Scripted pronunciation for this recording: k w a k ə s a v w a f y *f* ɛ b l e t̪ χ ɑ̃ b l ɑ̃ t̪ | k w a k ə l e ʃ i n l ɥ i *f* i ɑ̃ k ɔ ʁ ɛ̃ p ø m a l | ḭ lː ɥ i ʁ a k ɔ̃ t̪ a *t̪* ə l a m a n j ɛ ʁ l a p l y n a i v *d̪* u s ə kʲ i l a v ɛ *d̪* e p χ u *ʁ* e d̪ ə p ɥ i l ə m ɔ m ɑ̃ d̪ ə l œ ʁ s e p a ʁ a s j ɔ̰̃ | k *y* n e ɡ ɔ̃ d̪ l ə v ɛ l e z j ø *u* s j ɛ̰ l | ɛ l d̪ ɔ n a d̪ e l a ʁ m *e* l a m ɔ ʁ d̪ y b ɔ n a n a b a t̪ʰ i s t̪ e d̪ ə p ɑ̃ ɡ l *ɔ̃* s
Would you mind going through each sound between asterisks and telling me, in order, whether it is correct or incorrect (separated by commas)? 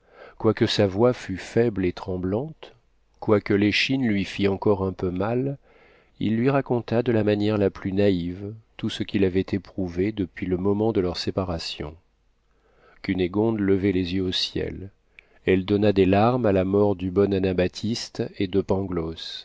correct, correct, incorrect, incorrect, incorrect, incorrect, correct, incorrect, incorrect, incorrect